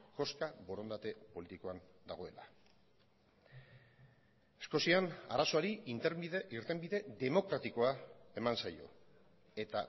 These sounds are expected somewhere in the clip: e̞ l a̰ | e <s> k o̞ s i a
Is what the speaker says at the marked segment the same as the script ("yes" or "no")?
yes